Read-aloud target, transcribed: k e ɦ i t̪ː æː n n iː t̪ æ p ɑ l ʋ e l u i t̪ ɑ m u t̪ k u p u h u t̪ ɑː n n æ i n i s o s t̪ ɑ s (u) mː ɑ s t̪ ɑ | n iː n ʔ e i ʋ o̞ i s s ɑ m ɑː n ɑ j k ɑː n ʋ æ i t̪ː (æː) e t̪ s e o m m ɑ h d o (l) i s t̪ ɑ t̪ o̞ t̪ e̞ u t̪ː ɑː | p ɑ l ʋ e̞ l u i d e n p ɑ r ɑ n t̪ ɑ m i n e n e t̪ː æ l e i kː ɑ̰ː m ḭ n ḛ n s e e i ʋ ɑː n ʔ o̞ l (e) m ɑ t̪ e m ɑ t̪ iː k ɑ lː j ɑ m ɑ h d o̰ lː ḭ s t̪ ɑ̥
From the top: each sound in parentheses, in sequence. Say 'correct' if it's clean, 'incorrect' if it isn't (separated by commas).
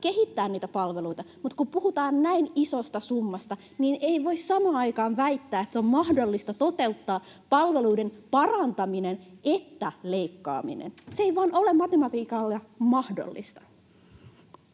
correct, correct, incorrect, correct